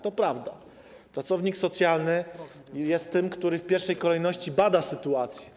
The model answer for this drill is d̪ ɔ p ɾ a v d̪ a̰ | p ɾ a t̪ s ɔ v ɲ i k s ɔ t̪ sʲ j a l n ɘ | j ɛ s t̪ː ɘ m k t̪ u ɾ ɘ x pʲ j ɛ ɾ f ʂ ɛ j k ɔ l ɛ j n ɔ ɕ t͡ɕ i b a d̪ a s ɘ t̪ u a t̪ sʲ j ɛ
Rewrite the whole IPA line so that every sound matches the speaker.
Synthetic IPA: t̪ ɔ p ɾ a v d̪ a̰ | p ɾ a t̪ s ɔ v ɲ i k s ɔ t̪ sʲ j a l n ɘ | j ɛ s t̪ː ɘ m k t̪ u ɾ ɘ f pʲ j ɛ ɾ f ʂ ɛ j k ɔ l ɛ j n ɔ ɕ t͡ɕ i b a d̪ a s ɘ t̪ u a t̪ sʲ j ɛ

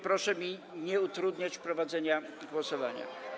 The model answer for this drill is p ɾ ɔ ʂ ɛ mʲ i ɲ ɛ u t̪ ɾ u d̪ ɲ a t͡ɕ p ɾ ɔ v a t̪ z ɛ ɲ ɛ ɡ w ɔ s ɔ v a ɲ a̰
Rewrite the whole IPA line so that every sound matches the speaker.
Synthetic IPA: p ɾ ɔ ʂ ɛ mʲ i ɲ ɛ u t̪ ɾ u d̪ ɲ a t͡ɕ p ɾ ɔ v a d̪ z ɛ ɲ a ɡ w ɔ s ɔ v a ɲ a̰

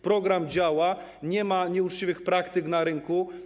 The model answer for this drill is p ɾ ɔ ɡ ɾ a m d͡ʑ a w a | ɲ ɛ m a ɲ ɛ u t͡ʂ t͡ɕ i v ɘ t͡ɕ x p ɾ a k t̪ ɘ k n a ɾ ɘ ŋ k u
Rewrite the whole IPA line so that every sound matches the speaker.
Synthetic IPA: p ɾ ɔ ɡ ɾ a m d͡ʑ a w a | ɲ ɛ m a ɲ ɛ u t͡ʂ t͡ɕ i v ɘ x p ɾ a k t̪ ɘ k n a ɾ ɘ ŋ k u

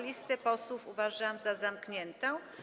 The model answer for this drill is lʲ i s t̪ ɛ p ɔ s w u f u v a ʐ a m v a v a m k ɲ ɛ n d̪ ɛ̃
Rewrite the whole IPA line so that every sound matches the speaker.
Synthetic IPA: lʲ i s t̪ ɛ p ɔ s w u f u v a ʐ a m z a z a m k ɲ ɛ n t̪ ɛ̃

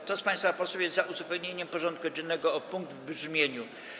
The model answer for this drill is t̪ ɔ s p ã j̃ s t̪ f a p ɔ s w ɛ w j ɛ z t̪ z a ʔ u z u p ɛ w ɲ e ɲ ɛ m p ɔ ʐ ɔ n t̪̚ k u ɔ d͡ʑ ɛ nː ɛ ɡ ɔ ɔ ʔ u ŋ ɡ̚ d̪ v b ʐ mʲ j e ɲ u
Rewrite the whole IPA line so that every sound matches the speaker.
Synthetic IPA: t̪ ɔ s p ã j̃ s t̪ f a p ɔ s w ɛ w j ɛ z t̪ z a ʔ u z u p ɛ w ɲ e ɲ ɛ m p ɔ ʐ ɔ n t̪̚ k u ɔ d͡ʑ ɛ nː ɛ ɡ ɔ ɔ p u ŋ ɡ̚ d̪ v b ʐ mʲ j e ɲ u

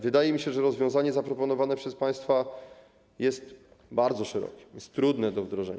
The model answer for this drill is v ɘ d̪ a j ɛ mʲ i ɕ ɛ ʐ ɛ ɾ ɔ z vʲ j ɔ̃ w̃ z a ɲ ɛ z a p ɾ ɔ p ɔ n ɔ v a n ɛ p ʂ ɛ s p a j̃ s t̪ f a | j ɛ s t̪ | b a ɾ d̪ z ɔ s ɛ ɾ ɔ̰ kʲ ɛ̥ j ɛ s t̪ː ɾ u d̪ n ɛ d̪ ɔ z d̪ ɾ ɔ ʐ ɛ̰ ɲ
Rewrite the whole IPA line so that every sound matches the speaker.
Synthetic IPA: v ɘ d̪ a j ɛ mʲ i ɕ ɛ ʐ ɛ ɾ ɔ z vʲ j ɔ̃ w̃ z a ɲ ɛ z a p ɾ ɔ p ɔ n ɔ v a n ɛ p ʂ ɛ s p a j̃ s t̪ f a | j ɛ s t̪ | b a ɾ d̪ z ɔ ʂ ɛ ɾ ɔ̰ kʲ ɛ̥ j ɛ s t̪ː ɾ u d̪ n ɛ d̪ ɔ v d̪ ɾ ɔ ʐ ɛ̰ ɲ

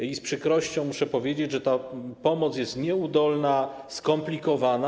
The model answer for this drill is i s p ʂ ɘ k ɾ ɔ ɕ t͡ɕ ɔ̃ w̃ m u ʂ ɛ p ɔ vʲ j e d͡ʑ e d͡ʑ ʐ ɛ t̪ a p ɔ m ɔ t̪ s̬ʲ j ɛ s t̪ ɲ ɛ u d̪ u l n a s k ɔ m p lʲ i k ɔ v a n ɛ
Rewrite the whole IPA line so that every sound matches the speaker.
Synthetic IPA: i s p ʂ ɘ k ɾ ɔ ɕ t͡ɕ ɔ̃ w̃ m u ʂ ɛ p ɔ vʲ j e d͡ʑ e d͡ʑ ʐ ɛ t̪ a p ɔ m ɔ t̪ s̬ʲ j ɛ s t̪ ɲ ɛ u d̪ ɔ l n a s k ɔ m p lʲ i k ɔ v a n a

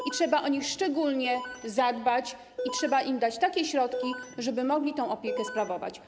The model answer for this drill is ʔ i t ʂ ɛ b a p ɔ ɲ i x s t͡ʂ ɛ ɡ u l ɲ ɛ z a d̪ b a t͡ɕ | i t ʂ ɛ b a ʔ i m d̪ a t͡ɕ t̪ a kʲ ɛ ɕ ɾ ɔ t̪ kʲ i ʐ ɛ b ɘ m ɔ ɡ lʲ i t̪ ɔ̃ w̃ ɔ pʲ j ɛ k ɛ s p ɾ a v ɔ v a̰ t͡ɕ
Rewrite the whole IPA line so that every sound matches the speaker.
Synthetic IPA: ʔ i t ʂ ɛ b a ʔ ɔ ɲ i x ʂ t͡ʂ ɛ ɡ u l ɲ ɛ z a d̪ b a t͡ɕ | i t ʂ ɛ b a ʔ i m d̪ a t͡ɕ t̪ a kʲ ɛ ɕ ɾ ɔ t̪ kʲ i ʐ ɛ b ɘ m ɔ ɡ lʲ i t̪ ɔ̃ w̃ ɔ pʲ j ɛ k ɛ s p ɾ a v ɔ v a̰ t͡ɕ

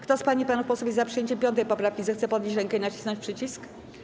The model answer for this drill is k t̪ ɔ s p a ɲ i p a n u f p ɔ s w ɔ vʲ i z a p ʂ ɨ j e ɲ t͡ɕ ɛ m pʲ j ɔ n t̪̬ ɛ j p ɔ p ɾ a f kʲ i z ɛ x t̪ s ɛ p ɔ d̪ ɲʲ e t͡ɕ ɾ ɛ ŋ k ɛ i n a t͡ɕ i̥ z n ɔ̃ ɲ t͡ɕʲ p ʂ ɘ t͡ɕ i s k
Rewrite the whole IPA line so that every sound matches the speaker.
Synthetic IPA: k t̪ ɔ s p a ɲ i p a n u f p ɔ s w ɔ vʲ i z a p ʂ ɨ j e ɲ t͡ɕ ɛ m pʲ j ɔ n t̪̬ ɛ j p ɔ p ɾ a f kʲ i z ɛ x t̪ s ɛ p ɔ d̪ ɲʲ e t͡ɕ ɾ ɛ ŋ k ɛ i n a t͡ɕ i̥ s n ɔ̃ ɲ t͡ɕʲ p ʂ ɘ t͡ɕ i s k

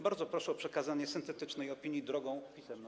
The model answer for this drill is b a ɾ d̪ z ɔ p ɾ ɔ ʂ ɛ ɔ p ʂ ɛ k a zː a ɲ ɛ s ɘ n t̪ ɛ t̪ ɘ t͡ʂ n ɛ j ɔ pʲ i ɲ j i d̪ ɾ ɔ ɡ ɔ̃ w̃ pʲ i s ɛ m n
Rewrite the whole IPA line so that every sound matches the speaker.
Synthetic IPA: b a ɾ d̪ z ɔ p ɾ ɔ ʂ ɛ ɔ p ʂ ɛ k a z a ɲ ɛ s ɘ n t̪ ɛ t̪ ɘ t͡ʂ n ɛ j ɔ pʲ i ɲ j i d̪ ɾ ɔ ɡ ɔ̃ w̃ pʲ i s ɛ m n

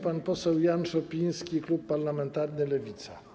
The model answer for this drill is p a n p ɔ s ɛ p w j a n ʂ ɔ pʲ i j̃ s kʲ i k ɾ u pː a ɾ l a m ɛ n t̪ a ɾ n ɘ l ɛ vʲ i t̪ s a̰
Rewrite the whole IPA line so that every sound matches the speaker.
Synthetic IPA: p a n p ɔ s ɛ w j a n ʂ ɔ pʲ i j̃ s kʲ i k l u pː a ɾ l a m ɛ n t̪ a ɾ n ɘ l ɛ vʲ i t̪ s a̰

